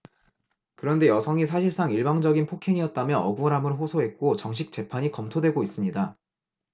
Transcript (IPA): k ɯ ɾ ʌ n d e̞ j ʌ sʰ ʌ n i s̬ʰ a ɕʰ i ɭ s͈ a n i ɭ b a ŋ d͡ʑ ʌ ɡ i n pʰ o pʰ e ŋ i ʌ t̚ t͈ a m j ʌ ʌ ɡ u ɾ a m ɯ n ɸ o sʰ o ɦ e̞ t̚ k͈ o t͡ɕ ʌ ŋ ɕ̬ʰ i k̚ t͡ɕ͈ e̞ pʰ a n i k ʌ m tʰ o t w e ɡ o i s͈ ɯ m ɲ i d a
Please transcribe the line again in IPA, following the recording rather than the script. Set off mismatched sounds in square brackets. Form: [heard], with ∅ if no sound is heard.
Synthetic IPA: k ɯ ɾ ʌ n d e̞ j ʌ sʰ ʌ [ŋ] i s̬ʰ a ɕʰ i ɭ s͈ a [ŋ] i ɭ b a ŋ d͡ʑ ʌ ɡ i n pʰ o [kʰ] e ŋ i ʌ t̚ t͈ a m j ʌ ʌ ɡ u ɾ a m ɯ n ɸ o sʰ o ɦ e̞ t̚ k͈ o t͡ɕ ʌ ŋ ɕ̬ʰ i k̚ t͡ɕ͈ e̞ pʰ a [ɲ] i k ʌ m tʰ o [d] w e ɡ o i s͈ ɯ m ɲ i d a

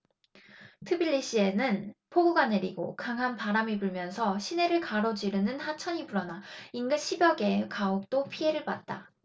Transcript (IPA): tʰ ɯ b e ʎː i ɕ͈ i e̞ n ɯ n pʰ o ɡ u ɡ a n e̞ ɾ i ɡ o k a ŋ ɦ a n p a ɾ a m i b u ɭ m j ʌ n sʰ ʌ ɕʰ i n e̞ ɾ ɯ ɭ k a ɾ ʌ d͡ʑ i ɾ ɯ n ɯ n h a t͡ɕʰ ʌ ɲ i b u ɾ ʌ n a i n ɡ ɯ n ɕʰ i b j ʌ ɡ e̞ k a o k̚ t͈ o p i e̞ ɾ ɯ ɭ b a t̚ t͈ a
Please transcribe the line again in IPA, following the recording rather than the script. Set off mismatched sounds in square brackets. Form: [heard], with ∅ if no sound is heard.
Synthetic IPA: tʰ ɯ b [i] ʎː i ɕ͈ i e̞ n ɯ n pʰ o ɡ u ɡ a n e̞ ɾ i ɡ o k a ŋ ɦ a n p a ɾ a m i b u ɭ m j ʌ n sʰ ʌ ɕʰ i n e̞ ɾ ɯ ɭ k a ɾ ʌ d͡ʑ i ɾ ɯ n ɯ n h a t͡ɕʰ ʌ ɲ i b u ɾ ʌ n a i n ɡ ɯ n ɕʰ i b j ʌ ɡ e̞ k a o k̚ t͈ o [pʰ] i e̞ ɾ ɯ ɭ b a t̚ t͈ a

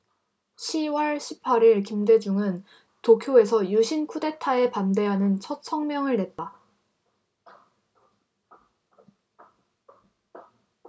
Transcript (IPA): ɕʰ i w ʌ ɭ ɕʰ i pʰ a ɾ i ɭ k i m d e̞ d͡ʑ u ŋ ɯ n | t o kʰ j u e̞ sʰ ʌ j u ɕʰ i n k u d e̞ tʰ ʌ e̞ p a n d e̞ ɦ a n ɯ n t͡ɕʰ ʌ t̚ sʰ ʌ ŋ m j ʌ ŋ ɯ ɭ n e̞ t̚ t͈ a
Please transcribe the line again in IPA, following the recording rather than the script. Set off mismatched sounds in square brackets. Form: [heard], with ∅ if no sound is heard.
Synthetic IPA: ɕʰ i w ʌ ɭ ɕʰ i pʰ a ɾ i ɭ k i m d e̞ d͡ʑ u ŋ ɯ n | t o kʰ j [o] e̞ sʰ ʌ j u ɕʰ i n [kʰ] u d e̞ tʰ [a] e̞ p a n d e̞ ɦ a n ɯ n t͡ɕʰ ʌ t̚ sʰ ʌ ŋ m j ʌ ŋ ɯ ɭ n e̞ t̚ t͈ a

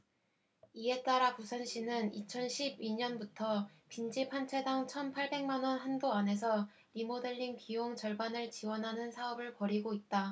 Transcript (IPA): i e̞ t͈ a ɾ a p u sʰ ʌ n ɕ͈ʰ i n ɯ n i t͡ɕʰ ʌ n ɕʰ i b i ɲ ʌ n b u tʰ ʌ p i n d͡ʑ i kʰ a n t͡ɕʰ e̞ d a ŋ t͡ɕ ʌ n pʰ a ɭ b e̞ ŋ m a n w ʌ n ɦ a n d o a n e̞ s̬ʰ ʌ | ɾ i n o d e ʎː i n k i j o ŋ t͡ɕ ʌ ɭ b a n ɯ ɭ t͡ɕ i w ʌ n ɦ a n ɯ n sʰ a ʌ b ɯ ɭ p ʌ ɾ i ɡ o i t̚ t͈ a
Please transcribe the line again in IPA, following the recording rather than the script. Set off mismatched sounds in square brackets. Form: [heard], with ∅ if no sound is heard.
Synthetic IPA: i e̞ t͈ a ɾ a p u sʰ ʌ n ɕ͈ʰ i n ɯ n i t͡ɕʰ ʌ n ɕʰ i b i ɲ ʌ n b u tʰ ʌ p i n d͡ʑ i [pʰ] a n t͡ɕʰ e̞ d a ŋ [t͡ɕʰ] ʌ n pʰ a ɭ b e̞ ŋ m a n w ʌ n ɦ a n d o a n e̞ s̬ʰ ʌ | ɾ i [m] o d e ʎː i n k i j o ŋ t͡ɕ ʌ ɭ b a n ɯ ɭ t͡ɕ i w ʌ n ɦ a n ɯ n sʰ a ʌ b ɯ ɭ p ʌ ɾ i ɡ o i t̚ t͈ a

